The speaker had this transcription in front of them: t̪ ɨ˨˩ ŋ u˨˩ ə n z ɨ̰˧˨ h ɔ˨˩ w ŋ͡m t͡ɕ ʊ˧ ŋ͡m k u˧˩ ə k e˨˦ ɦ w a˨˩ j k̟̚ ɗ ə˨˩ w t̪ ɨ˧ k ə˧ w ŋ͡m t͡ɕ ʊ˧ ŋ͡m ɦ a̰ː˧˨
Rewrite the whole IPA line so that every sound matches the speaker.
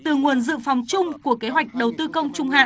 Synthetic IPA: t̪ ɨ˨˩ ŋ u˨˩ ə n z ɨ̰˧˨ f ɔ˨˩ w ŋ͡m t͡ɕ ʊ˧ ŋ͡m k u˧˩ ə k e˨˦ ɦ w a˨˩ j k̟̚ ɗ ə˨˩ w t̪ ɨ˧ k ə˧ w ŋ͡m t͡ɕ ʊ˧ ŋ͡m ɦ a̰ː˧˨